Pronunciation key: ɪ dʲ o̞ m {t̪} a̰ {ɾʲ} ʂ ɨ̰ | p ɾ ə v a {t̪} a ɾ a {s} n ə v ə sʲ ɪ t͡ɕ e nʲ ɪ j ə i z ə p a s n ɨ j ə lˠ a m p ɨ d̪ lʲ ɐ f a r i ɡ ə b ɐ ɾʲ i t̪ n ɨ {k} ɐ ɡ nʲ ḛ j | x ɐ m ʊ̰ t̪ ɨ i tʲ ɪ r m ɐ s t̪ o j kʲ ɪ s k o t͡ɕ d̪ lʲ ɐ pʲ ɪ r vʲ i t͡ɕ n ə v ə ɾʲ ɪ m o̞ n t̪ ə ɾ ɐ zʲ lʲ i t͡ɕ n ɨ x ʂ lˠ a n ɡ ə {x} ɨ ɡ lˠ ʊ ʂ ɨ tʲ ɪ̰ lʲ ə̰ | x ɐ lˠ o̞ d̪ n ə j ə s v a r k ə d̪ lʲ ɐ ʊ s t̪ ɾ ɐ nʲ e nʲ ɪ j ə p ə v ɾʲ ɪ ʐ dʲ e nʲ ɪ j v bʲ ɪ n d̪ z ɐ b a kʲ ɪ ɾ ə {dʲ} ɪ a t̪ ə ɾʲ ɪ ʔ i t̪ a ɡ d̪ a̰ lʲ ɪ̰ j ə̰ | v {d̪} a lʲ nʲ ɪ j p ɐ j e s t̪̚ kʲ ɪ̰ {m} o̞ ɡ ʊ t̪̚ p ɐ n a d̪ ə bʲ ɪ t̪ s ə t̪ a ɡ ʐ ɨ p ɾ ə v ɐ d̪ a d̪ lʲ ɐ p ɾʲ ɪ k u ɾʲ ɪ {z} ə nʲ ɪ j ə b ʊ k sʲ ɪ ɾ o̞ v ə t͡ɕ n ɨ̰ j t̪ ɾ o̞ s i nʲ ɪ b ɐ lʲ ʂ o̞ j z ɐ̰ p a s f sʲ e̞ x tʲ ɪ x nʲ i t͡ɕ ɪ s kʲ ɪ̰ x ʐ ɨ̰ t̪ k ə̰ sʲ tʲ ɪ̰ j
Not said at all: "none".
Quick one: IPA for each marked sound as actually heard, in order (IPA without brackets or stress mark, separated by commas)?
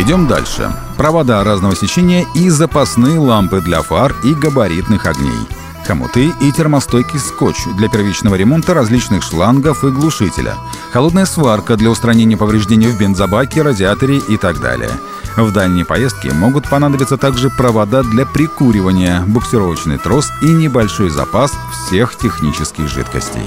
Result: d̪, lʲ, d̪, z, x, f, dʲ, d̪, m, v